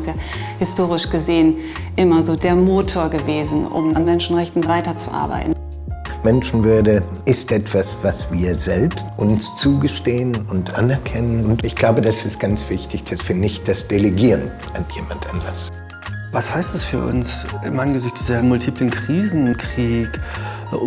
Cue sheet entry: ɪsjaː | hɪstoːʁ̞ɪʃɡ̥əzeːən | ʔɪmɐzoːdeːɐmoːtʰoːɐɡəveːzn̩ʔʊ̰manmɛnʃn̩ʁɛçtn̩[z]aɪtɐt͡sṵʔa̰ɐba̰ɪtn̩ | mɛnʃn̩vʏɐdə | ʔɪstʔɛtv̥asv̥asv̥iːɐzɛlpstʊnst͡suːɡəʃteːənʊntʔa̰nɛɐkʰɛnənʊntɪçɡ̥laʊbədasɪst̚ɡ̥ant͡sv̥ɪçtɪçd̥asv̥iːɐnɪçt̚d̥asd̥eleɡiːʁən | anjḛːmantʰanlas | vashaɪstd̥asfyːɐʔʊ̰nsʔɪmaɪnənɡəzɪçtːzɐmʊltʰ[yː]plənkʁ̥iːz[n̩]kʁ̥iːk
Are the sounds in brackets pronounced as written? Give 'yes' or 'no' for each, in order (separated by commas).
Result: no, no, yes